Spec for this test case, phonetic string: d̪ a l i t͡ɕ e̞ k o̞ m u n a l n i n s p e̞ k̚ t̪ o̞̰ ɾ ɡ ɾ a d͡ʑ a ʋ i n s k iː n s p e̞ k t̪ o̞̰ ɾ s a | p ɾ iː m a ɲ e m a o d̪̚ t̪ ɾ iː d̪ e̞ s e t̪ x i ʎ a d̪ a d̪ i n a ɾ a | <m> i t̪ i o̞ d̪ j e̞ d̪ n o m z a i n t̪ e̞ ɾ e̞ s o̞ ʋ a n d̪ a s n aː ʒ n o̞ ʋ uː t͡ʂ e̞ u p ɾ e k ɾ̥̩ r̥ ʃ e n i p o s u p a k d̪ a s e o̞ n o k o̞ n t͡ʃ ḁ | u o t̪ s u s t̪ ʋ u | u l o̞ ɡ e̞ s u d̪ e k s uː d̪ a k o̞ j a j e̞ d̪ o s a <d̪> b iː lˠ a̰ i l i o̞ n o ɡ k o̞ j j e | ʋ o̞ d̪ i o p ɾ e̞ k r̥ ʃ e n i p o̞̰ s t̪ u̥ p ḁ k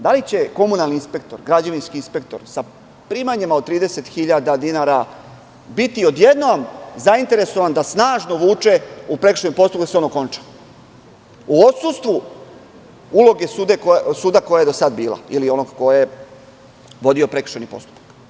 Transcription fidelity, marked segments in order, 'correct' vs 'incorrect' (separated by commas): incorrect, correct